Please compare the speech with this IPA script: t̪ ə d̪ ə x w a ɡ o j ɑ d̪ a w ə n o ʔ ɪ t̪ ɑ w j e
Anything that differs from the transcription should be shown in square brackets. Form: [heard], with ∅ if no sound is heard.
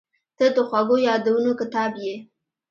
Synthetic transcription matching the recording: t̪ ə d̪ ə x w a ɡ o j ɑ d̪ a w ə n o [k] ɪ t̪ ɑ [b] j e

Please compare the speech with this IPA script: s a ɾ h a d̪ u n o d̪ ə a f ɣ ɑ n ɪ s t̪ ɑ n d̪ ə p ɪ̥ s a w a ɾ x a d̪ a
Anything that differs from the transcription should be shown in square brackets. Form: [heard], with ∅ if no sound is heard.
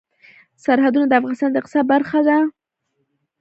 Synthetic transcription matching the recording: s a ɾ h a d̪ u n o d̪ ə a f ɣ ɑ n ɪ s t̪ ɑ n d̪ ə [q] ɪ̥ s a [b] a ɾ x a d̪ a

